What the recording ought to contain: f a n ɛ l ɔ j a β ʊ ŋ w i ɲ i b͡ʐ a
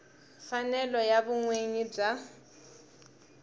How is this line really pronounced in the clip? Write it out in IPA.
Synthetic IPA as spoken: f a n ɛ l ɔ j a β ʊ ŋ w e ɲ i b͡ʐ a

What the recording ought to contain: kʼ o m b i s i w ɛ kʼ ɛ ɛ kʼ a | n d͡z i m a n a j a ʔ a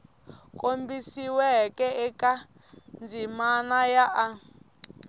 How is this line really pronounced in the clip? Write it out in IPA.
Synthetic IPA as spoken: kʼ o m b i s i w ɛ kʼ ɛ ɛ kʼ a | n d͡z i m a n a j a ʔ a

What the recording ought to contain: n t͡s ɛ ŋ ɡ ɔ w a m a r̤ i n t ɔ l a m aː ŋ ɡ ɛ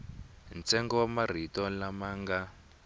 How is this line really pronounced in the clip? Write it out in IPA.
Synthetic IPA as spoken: n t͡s ɛ ŋ ɡ ɔ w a m a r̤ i t ɔ l a m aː ŋ ɡ a

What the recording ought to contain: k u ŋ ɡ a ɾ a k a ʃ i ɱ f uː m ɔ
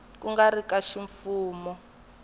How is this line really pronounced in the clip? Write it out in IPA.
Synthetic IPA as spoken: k u ŋ ɡ a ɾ i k a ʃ i ɱ f uː m ɔ

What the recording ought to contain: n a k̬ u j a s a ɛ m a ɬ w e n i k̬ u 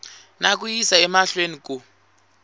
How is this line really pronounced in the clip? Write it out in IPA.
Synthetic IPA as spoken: n a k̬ u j i s a ɛ m a ɬ w e n i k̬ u

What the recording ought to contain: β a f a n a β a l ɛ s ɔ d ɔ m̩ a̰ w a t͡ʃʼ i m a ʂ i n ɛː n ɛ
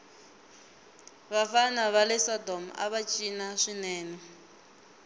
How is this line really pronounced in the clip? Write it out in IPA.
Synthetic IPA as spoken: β a f a n a β a l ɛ s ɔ d ɔ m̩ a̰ β a t͡ʃʼ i n a ʂ i n ɛː n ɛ

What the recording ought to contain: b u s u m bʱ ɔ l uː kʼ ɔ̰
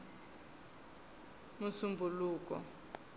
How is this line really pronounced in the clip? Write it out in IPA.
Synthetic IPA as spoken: m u s u m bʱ u l uː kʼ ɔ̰

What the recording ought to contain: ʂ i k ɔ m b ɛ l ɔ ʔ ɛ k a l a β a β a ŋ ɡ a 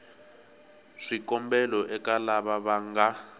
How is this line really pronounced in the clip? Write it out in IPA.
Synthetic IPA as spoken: ʂ i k ɔ m b ɛ l ɔ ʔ ɛ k a l a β a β a ŋ ɡ a

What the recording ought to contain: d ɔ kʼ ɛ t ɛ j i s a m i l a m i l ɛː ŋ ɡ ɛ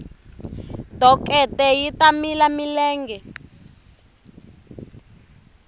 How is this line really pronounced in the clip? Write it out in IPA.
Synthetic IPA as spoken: d ɔ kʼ ɛ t ɛ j i t a m i l a m i l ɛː ŋ ɡ ɛ

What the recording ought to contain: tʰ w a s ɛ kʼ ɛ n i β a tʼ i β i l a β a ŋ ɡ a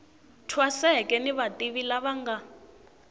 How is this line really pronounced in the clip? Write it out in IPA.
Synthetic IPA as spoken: tʰ w a s ɛ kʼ ɛ n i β a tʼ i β i l a β a ŋ ɡ a

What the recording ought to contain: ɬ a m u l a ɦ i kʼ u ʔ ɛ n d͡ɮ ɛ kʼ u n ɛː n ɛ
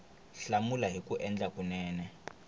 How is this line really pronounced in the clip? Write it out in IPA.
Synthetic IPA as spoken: ɬ a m u l a ɦ i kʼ u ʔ ɛ n d͡ɮ a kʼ u n ɛː n ɛ

